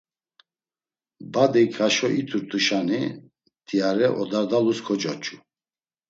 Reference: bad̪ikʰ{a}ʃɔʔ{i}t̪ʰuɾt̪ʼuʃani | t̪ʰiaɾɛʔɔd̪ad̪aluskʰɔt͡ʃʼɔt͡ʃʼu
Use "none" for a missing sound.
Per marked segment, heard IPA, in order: a, i

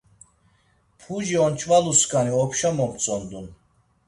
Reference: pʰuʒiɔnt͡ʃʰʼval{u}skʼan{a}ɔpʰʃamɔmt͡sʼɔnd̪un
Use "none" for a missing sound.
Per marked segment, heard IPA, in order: u, i

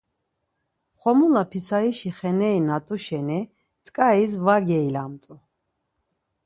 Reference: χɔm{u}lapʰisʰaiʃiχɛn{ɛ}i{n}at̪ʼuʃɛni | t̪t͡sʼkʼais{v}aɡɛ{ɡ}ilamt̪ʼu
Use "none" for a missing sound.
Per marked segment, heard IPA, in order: u, ɛ, n, v, none

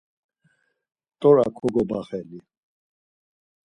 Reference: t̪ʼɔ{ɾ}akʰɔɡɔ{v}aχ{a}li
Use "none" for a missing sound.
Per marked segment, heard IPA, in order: ɾ, b, ɛ

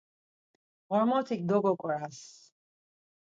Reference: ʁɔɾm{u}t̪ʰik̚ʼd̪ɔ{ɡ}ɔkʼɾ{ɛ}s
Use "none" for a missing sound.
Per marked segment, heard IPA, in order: ɔ, ɡ, a

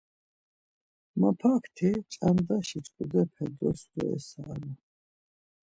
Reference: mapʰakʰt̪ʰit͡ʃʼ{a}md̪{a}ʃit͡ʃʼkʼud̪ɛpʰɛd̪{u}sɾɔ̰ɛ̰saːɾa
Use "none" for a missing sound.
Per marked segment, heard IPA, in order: a, a, ɔ

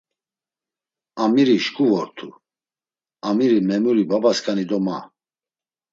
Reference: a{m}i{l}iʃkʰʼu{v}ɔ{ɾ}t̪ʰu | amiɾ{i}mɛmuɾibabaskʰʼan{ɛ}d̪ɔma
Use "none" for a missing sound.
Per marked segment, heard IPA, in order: m, ɾ, v, ɾ, i, i

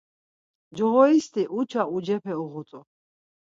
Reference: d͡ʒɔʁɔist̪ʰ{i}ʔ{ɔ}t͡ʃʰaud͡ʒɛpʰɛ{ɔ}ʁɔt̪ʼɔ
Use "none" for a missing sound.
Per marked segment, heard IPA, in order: i, u, u

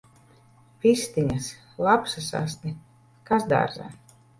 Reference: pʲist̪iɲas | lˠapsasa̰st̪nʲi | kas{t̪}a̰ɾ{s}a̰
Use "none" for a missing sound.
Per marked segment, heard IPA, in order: d̪, z

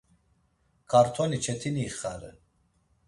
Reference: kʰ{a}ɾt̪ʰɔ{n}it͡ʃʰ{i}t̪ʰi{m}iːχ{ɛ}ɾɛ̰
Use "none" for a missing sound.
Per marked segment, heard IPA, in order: a, n, ɛ, n, a

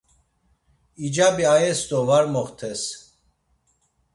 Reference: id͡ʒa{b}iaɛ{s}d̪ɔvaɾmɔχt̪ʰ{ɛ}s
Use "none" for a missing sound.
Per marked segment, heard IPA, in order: b, s, ɛ

